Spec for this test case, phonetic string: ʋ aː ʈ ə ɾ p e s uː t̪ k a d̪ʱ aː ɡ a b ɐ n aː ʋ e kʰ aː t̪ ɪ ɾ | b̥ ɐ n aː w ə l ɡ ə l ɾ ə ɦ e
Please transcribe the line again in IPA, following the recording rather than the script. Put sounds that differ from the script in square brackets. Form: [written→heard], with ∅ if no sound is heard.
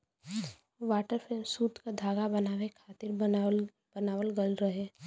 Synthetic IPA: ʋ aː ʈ ə ɾ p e s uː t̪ k a d̪ʱ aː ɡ a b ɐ n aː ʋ e kʰ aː t̪ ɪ ɾ | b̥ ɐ n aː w ə l ɡ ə l ɾ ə ɦ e